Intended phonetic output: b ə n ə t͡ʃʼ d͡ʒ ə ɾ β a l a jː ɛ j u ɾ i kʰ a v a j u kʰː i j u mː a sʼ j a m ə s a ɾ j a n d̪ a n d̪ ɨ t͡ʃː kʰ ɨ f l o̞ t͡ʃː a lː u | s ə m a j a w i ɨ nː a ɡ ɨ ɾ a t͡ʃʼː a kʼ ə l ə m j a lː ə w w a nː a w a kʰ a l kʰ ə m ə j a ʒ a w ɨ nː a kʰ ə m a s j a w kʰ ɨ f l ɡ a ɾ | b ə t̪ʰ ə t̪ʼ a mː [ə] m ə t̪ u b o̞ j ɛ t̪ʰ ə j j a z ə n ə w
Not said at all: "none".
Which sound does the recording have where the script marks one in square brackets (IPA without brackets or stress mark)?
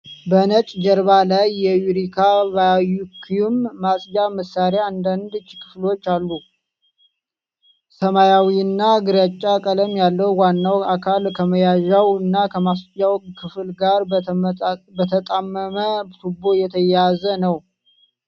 ə